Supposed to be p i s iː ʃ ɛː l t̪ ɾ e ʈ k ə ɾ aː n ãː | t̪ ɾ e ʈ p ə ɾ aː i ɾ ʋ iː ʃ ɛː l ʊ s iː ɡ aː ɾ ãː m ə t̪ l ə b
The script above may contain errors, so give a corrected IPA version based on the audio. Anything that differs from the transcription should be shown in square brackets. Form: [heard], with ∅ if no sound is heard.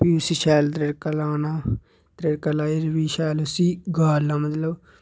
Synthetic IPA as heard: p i s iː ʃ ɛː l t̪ ɾ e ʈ k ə [l] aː n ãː | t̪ ɾ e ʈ [k] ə [l] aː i ɾ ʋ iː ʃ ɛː l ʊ s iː ɡ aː [l] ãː m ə t̪ l ə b